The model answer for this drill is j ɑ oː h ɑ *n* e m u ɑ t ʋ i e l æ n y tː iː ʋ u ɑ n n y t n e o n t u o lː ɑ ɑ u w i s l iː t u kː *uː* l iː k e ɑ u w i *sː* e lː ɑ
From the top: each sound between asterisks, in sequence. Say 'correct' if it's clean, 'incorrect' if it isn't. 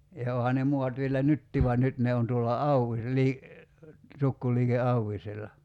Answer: correct, incorrect: u, incorrect: s

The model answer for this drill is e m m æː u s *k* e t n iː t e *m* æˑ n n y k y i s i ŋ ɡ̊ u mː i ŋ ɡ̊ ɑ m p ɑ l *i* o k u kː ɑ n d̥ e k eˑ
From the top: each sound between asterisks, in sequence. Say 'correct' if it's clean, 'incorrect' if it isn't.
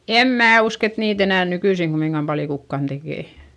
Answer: correct, incorrect: n, incorrect: j

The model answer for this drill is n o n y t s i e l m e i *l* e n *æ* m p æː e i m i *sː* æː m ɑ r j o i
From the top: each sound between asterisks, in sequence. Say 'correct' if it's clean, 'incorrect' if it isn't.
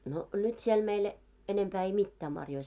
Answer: correct, incorrect: e, incorrect: tː

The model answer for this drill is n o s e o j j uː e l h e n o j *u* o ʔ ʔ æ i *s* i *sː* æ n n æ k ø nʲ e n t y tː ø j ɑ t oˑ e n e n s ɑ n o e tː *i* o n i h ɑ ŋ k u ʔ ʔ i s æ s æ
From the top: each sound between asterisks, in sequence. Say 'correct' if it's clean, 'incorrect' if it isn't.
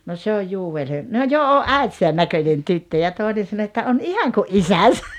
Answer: incorrect: o, incorrect: t, incorrect: s, incorrect: æ

